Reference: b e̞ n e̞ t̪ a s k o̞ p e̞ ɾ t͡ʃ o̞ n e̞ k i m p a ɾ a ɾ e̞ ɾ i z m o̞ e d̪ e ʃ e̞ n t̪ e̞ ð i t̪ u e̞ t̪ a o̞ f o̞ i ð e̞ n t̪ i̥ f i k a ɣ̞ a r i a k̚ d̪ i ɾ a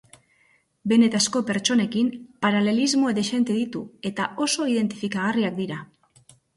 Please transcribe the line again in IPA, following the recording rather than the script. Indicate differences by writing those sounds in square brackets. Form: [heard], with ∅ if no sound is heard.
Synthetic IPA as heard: b e̞ n e̞ t̪ a s k o̞ p e̞ ɾ t͡ʃ o̞ n e̞ k i m p a ɾ a [l] e̞ [l] i z m o̞ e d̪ e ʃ e̞ n t̪ e̞ ð i t̪ u e̞ t̪ a o̞ [s] o̞ i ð e̞ n t̪ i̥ f i k a ɣ̞ a r i a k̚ d̪ i ɾ a